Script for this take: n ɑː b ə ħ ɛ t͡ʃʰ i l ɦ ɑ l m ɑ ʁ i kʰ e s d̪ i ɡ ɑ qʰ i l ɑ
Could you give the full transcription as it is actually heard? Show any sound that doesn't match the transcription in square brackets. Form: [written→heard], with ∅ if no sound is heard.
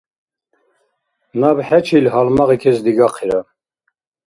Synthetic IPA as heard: n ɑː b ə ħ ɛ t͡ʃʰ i l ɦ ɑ l m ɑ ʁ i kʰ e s d̪ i ɡ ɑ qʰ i [l→ɾ] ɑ

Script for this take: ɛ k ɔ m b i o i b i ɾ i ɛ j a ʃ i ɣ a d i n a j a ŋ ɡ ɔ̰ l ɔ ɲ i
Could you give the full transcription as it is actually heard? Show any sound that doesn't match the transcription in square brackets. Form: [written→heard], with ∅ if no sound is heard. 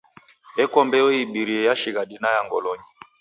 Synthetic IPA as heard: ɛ k ɔ m b [i→ɛ] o i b i ɾ i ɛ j a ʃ i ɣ a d i n a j a ŋ ɡ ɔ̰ l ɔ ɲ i

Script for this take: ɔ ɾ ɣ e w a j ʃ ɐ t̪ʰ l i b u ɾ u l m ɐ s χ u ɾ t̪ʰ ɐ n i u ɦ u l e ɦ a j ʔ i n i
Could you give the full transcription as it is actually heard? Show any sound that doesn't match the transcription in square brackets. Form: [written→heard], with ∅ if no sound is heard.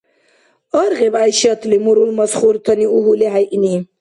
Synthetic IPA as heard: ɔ ɾ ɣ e [w→b] a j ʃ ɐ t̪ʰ l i [b→m] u ɾ u l m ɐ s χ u ɾ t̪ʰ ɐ n i u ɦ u l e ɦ a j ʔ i n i

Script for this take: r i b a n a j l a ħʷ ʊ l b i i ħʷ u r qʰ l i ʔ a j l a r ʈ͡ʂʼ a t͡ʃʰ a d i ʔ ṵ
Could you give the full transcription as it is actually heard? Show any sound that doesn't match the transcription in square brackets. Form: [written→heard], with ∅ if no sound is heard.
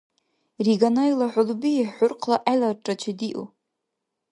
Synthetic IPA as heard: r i [b→ɡ] a n a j l a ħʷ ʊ l b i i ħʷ [u→ʊ] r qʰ l [i→a] ʔ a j l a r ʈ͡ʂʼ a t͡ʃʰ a d i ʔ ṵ

